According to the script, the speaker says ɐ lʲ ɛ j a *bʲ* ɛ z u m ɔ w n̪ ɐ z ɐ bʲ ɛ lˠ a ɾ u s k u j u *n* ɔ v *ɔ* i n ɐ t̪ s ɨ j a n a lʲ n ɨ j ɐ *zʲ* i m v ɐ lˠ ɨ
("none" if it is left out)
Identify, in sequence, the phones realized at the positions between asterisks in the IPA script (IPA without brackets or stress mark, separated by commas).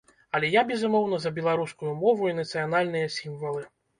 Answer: bʲ, m, u, sʲ